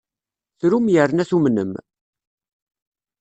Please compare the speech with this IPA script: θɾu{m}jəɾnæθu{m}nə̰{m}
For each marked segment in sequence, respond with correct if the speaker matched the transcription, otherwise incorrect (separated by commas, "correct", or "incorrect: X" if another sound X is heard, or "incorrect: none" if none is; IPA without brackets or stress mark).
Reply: correct, correct, correct